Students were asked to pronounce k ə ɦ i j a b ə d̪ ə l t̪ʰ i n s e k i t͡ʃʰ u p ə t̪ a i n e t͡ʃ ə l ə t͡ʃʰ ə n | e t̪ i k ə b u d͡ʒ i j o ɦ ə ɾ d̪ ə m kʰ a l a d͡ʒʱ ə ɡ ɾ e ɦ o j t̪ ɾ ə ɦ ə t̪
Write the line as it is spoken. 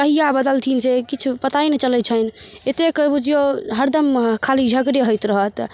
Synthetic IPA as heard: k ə ɦ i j a b ə d̪ ə l t̪ʰ i n s e k i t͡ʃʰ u p ə t̪ a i n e t͡ʃ ə l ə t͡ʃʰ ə n | e t̪ e k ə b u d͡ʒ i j o ɦ ə ɾ d̪ ə m kʰ a l i d͡ʒʱ ə ɡ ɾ e ɦ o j t̪ ɾ ə ɦ ə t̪

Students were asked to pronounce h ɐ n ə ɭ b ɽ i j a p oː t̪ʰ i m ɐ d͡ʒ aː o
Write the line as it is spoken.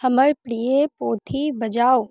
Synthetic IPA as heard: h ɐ m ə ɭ p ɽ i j e p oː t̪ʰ i b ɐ d͡ʒ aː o

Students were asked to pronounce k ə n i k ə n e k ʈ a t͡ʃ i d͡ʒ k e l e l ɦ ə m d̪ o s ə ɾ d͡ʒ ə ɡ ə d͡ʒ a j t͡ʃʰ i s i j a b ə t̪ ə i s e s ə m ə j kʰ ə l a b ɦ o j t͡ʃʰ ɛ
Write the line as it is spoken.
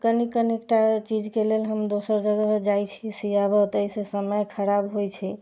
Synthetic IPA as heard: k ə n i k ə n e k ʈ a t͡ʃ i d͡ʒ k e l e l ɦ ə m d̪ o s ə ɾ d͡ʒ ə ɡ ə d͡ʒ a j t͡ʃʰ i s i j a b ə t̪ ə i s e s ə m ə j kʰ ə ɾ a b ɦ o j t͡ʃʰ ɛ

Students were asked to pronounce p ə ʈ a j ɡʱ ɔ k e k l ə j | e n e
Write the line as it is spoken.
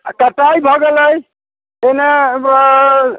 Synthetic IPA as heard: k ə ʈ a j bʱ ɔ ɡ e l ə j | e n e

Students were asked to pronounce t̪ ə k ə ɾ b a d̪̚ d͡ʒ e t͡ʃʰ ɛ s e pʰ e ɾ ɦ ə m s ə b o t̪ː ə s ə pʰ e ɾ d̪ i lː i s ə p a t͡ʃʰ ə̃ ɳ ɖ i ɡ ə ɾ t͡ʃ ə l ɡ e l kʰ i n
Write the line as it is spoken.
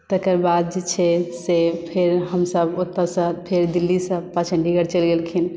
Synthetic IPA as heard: t̪ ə k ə ɾ b a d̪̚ d͡ʒ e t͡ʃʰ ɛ s e pʰ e ɾ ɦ ə m s ə b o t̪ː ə s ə pʰ e ɾ d̪ i lː i s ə p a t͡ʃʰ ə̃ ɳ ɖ i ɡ ə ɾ t͡ʃ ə l ɡ e l kʰ i n

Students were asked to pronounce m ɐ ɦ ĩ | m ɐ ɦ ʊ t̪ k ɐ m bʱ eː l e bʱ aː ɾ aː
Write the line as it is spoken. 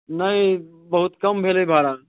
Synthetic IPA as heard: n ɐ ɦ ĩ | b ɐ ɦ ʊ t̪ k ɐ m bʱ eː l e bʱ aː ɾ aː

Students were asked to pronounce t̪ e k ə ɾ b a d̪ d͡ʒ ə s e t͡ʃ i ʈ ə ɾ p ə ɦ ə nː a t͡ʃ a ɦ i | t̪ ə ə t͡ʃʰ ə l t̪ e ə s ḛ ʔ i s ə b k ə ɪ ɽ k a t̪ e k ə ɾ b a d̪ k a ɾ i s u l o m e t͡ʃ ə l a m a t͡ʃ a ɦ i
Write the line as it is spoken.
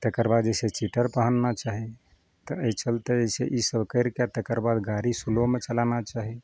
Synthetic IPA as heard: t̪ e k ə ɾ b a d̪ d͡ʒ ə s e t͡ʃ i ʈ ə ɾ p ə ɦ ə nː a t͡ʃ a ɦ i | t̪ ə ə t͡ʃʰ ə l t̪ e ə s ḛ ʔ i s ə b k ə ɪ ɾ k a t̪ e k ə ɾ b a d̪ ɡ a ɾ i s u l o m e t͡ʃ ə l a n a t͡ʃ a ɦ i

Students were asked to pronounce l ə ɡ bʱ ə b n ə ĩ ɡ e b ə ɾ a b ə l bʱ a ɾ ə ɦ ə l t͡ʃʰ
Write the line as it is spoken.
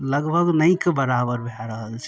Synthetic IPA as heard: l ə ɡ bʱ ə ɡ n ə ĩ k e b ə ɾ a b ə ɾ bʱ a ɾ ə ɦ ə l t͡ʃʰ

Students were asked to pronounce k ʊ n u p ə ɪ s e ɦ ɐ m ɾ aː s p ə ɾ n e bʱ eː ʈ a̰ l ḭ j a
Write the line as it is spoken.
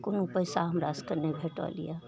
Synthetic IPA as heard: k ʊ n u p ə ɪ s a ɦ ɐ m ɾ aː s k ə ɾ n e bʱ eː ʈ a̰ l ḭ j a

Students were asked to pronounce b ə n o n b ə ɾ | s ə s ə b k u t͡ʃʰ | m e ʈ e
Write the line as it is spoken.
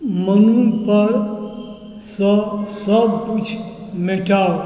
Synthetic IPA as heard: m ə n u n p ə ɾ | s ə s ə b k u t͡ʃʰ | m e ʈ a

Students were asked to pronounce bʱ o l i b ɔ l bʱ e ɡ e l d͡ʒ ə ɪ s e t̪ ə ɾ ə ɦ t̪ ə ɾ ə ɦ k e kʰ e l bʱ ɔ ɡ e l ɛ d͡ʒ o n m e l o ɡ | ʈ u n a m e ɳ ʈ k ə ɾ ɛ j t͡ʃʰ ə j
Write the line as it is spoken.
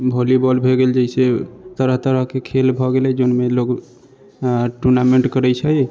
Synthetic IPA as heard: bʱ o l i b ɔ l bʱ e ɡ e l d͡ʒ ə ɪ s e t̪ ə ɾ ə ɦ t̪ ə ɾ ə ɦ k e kʰ e l bʱ ɔ ɡ e l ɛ d͡ʒ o n m e l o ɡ | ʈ u n a m e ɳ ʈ k ə ɾ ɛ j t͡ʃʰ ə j

